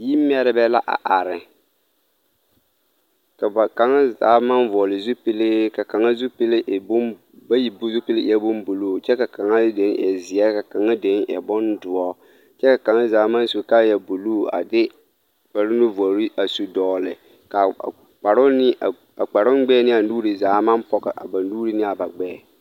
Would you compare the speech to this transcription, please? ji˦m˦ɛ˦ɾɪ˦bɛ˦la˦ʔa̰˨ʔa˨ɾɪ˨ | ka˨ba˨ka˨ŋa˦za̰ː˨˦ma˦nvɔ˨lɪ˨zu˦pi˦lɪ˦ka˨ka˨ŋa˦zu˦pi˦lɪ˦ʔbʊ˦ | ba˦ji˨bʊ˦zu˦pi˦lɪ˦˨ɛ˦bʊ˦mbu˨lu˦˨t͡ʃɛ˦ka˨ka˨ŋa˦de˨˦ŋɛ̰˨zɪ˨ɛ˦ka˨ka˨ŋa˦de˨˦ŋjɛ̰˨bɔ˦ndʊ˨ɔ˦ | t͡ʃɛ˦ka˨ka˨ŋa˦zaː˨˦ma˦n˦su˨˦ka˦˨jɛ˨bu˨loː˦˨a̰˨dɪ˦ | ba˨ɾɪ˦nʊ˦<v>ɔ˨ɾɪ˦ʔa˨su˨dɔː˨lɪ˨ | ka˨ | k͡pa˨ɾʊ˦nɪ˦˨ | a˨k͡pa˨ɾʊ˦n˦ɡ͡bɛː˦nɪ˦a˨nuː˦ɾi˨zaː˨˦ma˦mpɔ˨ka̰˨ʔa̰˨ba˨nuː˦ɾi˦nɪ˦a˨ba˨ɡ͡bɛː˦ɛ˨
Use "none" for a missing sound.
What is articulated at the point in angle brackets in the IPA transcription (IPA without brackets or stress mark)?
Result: v